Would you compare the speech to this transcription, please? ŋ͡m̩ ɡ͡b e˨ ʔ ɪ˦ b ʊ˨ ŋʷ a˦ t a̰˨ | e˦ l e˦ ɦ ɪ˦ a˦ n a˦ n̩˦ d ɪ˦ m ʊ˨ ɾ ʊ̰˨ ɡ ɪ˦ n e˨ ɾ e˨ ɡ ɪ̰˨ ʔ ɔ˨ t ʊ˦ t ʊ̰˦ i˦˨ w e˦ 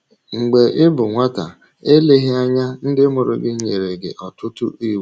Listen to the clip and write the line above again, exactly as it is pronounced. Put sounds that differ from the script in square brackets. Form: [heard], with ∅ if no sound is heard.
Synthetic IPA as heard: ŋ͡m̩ ɡ͡b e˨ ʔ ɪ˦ b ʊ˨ ŋʷ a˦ t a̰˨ | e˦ l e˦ ɦ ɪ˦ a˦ [ɲ] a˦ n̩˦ d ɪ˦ m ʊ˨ ɾ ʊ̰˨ ɡ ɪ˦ [ɲ] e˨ ɾ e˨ ɡ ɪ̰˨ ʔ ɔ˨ t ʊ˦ t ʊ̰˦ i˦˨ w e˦